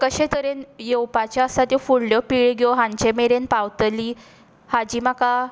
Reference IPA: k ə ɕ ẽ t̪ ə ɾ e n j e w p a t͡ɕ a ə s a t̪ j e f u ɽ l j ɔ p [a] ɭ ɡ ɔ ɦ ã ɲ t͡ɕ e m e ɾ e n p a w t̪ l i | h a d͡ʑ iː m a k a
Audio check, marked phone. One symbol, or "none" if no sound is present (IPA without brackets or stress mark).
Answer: i